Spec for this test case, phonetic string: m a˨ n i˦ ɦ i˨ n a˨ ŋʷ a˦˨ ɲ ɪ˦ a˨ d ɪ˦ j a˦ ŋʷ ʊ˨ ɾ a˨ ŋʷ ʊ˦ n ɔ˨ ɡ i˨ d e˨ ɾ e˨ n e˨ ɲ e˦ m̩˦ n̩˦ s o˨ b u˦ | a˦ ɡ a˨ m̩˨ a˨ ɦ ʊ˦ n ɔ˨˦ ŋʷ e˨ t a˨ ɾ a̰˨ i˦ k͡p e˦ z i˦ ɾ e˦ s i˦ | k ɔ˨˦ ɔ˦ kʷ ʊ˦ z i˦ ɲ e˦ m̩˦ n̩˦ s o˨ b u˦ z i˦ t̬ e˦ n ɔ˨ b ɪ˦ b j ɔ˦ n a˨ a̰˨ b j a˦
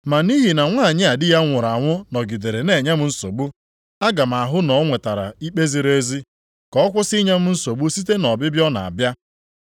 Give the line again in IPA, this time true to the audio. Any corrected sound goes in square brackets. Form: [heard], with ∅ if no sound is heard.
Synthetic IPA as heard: m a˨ n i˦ ɦ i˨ n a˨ ŋʷ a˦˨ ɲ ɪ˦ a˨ d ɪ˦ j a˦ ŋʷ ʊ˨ ɾ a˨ ŋʷ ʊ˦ n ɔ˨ ɡ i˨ d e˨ ɾ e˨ n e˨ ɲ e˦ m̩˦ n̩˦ s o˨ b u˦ | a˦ ɡ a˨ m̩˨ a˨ ɦ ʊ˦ n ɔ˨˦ ŋʷ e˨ t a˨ ɾ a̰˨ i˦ k͡p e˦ z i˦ ɾ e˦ [z] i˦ | k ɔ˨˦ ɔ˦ kʷ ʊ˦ [s] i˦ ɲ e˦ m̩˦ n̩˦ s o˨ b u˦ [s] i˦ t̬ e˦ n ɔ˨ b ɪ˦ b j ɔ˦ n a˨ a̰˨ b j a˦